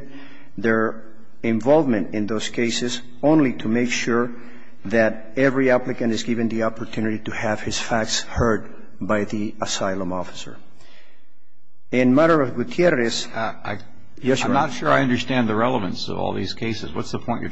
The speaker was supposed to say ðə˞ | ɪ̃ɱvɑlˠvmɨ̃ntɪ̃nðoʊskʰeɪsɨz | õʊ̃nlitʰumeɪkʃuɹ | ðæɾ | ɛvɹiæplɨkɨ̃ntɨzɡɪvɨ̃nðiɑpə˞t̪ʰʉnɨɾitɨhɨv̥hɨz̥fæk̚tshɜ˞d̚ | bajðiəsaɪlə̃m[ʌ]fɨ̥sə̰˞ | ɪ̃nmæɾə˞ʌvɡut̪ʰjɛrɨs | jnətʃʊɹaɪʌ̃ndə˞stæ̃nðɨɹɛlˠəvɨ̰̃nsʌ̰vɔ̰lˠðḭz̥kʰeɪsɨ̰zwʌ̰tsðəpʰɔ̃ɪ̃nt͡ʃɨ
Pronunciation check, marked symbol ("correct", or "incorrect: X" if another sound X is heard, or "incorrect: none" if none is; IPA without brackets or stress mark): incorrect: ɔ